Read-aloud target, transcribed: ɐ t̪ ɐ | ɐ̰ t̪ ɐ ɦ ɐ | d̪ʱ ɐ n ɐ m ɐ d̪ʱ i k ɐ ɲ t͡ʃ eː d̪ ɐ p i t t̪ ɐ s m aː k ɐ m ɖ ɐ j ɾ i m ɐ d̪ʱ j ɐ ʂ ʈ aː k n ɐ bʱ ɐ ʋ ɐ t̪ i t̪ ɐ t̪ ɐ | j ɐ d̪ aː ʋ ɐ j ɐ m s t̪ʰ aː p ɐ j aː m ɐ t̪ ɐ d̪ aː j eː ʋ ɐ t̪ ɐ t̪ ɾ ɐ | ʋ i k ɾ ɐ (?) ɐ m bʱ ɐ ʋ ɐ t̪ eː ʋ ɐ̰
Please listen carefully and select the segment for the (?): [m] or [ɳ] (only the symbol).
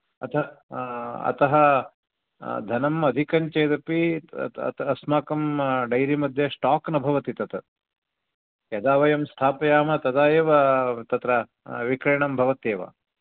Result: ɳ